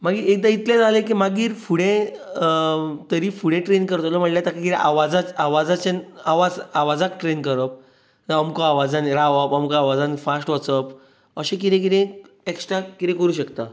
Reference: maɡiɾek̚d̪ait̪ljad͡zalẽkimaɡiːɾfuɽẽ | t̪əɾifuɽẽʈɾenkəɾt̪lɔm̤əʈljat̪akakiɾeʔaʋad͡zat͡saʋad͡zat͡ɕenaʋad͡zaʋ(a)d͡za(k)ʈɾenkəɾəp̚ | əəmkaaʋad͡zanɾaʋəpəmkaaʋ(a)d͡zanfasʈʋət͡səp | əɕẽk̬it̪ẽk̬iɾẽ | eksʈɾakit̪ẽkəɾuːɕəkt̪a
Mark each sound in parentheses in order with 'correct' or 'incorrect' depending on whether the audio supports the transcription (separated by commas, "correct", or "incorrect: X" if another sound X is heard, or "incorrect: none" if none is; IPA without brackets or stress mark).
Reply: correct, correct, correct